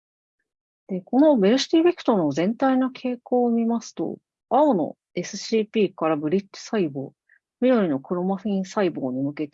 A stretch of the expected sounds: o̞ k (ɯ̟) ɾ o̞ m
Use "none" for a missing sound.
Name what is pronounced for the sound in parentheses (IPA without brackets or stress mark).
ɯ̟